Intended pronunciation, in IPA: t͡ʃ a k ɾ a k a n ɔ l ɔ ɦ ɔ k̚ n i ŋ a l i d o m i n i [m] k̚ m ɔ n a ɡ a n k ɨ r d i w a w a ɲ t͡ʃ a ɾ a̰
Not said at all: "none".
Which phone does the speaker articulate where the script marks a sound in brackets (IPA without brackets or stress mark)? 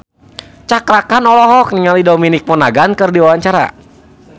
none